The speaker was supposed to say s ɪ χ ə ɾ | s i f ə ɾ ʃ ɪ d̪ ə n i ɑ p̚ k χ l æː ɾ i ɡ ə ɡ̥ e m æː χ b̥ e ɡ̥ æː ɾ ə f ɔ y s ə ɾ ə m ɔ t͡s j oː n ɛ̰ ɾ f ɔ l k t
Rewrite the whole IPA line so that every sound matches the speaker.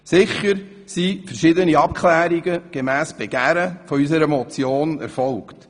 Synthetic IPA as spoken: s ɪ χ ə ɾ | s i f ə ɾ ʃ ɪ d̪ ə n i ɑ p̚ k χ l æː ɾ i ɡ ə ɡ̥ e m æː s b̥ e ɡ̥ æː ɾ ə f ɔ y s ə ɾ ə m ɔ t͡s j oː n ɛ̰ ɾ f ɔ l k t